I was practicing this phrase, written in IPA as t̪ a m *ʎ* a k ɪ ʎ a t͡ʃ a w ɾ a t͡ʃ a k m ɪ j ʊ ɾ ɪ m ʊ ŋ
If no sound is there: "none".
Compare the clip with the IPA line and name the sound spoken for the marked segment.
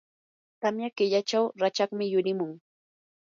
j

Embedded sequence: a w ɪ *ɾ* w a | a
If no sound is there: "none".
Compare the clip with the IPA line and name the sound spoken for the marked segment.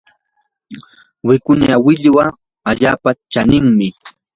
ʎ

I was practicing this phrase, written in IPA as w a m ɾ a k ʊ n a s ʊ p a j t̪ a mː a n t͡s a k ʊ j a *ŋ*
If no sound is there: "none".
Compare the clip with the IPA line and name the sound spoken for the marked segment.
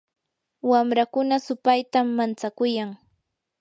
ŋ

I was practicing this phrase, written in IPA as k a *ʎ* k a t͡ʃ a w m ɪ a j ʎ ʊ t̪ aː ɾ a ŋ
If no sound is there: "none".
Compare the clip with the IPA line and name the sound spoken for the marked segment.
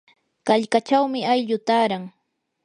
ʎ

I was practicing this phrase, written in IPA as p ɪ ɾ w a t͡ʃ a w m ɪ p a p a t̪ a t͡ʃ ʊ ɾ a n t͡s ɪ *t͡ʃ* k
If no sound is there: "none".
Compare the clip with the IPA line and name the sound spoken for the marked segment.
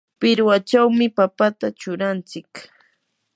none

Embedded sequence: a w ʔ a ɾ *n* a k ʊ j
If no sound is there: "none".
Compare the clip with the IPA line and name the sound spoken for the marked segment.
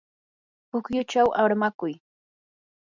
m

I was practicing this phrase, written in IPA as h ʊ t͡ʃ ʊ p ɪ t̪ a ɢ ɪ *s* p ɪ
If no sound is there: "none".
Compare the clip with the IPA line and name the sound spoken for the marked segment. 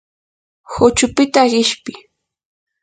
ʃ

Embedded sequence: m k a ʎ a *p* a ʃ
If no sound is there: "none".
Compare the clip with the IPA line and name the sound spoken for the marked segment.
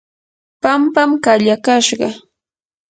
k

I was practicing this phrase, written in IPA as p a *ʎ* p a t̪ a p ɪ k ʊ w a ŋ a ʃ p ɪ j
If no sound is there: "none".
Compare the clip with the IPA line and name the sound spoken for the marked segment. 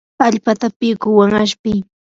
ʎ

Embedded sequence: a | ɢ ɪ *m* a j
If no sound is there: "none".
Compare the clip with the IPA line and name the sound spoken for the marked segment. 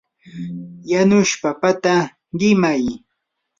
m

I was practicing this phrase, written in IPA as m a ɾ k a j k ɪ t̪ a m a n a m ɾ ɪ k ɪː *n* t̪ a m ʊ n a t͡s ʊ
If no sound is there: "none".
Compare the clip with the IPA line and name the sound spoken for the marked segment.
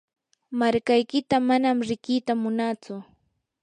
none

